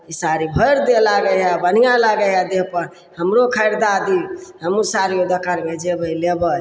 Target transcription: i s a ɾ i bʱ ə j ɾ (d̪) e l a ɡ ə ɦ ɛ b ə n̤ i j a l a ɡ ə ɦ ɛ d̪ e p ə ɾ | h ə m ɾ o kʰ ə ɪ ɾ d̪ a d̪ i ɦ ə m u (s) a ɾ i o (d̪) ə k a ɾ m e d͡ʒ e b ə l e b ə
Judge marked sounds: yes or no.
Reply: yes, yes, yes

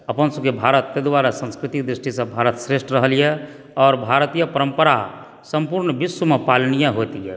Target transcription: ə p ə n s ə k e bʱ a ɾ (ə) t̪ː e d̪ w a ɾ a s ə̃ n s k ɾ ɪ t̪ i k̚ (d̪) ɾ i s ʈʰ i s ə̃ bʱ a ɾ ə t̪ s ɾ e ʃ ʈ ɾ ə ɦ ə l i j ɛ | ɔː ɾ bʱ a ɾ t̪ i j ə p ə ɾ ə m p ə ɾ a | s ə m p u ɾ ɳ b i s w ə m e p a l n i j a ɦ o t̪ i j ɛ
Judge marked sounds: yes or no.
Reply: yes, yes

